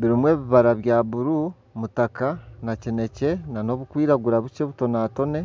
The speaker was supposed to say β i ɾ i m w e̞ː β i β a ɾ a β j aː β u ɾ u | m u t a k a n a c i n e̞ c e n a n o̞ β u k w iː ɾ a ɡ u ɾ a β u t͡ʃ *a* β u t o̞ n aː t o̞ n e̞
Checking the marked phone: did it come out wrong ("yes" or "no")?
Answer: yes